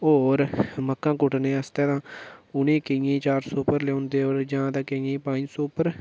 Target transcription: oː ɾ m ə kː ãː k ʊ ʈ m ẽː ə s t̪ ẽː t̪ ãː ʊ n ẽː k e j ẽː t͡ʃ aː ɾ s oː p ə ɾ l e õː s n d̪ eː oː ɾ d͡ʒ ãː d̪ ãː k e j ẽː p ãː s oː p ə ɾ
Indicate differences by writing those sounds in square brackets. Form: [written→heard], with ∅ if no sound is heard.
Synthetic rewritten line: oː ɾ m ə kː ãː k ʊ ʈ [m→n] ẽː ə s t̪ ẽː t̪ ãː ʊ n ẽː k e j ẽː t͡ʃ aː ɾ s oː p ə ɾ l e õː [s→∅] n d̪ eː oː ɾ d͡ʒ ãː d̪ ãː k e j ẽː p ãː s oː p ə ɾ